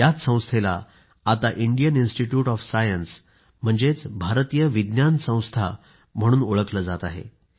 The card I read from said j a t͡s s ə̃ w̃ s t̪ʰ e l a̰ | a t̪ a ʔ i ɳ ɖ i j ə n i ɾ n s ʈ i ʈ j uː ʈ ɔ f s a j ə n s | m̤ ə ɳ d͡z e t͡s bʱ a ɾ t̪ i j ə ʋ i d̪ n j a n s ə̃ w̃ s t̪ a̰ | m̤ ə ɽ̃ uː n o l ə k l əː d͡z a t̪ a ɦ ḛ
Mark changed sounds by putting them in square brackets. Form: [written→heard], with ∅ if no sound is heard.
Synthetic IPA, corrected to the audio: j a t͡s s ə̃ w̃ s t̪ʰ e l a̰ | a t̪ a ʔ i ɳ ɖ i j ə n i [ɾ→∅] n s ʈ i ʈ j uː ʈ ɔ f s a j ə n s | m̤ ə ɳ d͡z e t͡s bʱ a ɾ t̪ i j ə ʋ i d̪ n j a n s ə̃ w̃ s [t̪→t̪ʰ] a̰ | m̤ ə ɽ̃ uː n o [l→ɭ] ə k l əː d͡z a t̪ a ɦ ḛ